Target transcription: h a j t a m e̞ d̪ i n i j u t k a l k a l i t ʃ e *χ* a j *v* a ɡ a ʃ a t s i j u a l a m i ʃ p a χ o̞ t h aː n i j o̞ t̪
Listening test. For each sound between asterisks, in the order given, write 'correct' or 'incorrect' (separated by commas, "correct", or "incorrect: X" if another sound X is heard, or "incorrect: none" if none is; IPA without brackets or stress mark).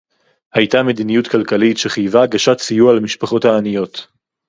correct, correct